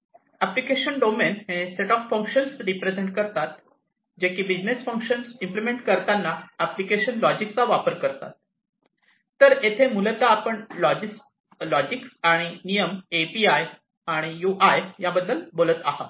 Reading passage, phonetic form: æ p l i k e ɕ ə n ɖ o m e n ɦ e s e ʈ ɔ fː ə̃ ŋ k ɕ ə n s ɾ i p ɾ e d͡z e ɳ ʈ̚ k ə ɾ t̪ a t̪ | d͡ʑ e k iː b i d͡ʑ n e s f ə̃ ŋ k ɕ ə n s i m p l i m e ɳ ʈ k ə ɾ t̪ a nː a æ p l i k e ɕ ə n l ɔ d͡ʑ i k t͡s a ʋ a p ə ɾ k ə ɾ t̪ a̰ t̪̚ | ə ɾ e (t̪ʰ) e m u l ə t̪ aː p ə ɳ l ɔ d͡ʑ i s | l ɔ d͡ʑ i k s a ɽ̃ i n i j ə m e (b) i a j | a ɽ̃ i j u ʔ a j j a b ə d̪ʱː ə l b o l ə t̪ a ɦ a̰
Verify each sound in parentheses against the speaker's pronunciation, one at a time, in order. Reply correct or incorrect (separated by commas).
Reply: correct, incorrect